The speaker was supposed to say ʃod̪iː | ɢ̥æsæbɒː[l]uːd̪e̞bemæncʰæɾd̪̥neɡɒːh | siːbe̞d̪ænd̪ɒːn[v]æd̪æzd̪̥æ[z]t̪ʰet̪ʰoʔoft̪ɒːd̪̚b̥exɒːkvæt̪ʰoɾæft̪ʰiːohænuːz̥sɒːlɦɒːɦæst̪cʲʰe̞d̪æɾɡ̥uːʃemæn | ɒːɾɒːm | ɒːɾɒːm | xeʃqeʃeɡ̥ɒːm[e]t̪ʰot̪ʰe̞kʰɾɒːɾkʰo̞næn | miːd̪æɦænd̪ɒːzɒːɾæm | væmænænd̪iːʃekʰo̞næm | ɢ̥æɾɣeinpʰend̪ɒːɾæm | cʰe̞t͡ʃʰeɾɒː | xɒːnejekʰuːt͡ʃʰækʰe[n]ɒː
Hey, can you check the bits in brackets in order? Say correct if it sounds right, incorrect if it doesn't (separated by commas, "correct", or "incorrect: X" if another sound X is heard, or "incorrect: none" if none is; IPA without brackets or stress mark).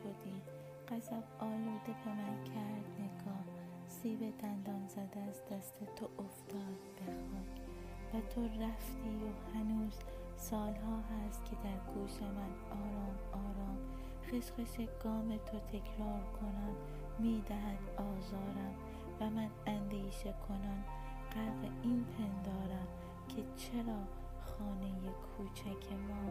correct, incorrect: z, incorrect: s, correct, incorrect: m